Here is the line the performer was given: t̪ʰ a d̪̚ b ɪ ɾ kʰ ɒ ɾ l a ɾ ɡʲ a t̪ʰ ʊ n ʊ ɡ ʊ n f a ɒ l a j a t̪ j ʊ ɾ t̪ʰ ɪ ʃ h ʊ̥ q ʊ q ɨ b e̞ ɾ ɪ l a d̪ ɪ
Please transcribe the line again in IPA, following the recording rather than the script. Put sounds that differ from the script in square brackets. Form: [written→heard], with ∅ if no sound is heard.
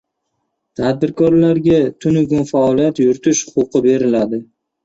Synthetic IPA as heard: t̪ʰ a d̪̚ b ɪ ɾ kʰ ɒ ɾ l a ɾ ɡʲ a t̪ʰ ʊ n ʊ ɡ ʊ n f a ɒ l [a→i] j a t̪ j ʊ ɾ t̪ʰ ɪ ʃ h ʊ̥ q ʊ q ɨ b e̞ ɾ ɪ l a d̪ ɪ